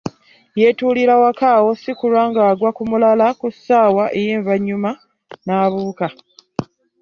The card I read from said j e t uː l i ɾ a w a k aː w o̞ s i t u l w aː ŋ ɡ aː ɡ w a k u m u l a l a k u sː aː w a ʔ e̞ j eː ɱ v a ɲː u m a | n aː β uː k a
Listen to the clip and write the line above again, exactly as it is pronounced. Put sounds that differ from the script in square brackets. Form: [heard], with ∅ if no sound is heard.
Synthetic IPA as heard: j e t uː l i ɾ a w a k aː w o̞ s i [k] u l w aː ŋ ɡ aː ɡ w a k u m u l a l a k u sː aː w a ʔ e̞ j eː ɱ v a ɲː u m a | n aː β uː k a